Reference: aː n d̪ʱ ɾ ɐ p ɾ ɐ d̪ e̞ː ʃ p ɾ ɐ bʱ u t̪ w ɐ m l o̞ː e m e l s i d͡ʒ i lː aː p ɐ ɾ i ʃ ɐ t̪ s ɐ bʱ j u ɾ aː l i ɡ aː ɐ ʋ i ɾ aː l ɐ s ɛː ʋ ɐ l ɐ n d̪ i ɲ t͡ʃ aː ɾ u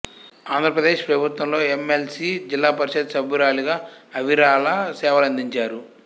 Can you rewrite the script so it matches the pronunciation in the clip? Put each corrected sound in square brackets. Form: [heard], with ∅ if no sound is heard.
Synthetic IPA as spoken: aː n d̪ʱ ɾ ɐ p ɾ ɐ d̪ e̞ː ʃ p ɾ ɐ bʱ u t̪ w ɐ m l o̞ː e m e l s i d͡ʒ i lː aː p ɐ ɾ i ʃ ɐ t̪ s ɐ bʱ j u ɾ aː l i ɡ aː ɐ ʋ i ɾ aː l ɐ s ɛː ʋ ɐ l ɐ n d̪ i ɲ t͡ʃ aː ɾ u